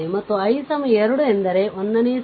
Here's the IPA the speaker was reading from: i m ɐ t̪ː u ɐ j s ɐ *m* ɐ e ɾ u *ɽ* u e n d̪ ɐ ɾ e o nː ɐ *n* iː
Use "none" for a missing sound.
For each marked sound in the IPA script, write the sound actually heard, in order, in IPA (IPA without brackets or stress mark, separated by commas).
m, ɽ, n